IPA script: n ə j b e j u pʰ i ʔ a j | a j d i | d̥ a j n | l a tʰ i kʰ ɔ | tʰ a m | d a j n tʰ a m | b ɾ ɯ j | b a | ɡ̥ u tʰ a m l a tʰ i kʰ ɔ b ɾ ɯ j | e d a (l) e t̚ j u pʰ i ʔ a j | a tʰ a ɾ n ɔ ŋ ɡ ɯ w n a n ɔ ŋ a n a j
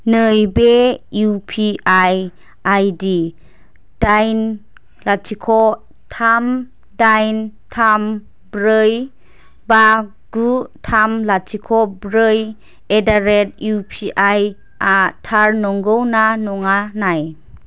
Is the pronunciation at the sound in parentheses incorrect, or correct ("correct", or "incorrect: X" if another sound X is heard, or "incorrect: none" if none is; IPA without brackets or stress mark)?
incorrect: ɾ